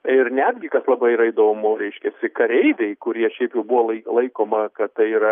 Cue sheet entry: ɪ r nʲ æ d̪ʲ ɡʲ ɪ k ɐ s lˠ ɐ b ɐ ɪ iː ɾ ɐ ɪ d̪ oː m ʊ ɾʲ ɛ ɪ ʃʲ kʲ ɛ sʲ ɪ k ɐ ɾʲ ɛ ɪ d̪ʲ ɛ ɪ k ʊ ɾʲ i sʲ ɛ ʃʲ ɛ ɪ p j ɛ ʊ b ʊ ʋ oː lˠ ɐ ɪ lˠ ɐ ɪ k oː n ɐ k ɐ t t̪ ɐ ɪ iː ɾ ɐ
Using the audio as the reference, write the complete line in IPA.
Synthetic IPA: ɪ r nʲ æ d̪ʲ ɡʲ ɪ k ɐ s lˠ ɐ b ɐ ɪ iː ɾ ɐ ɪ d̪ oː m ʊ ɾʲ ɛ ɪ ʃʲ kʲ ɛ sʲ ɪ k ɐ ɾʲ ɛ ɪ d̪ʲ ɛ ɪ k ʊ ɾʲ i ɛ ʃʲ ɛ ɪ p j ɛ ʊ b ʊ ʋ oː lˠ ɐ ɪ lˠ ɐ ɪ k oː m ɐ k ɐ t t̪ ɐ ɪ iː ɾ ɐ